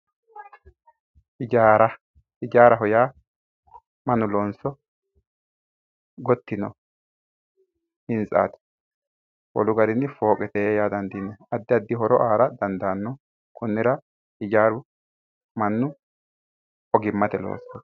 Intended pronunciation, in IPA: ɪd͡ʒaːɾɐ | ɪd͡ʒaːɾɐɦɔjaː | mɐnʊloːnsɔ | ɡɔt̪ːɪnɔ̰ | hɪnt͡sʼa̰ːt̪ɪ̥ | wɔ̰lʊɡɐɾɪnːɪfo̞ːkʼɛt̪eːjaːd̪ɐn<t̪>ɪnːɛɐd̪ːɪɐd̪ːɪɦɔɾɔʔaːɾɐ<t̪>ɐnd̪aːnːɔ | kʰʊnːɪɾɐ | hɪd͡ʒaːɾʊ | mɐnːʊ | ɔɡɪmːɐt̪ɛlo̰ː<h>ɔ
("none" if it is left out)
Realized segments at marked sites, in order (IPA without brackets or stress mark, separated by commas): d̪, d̪, s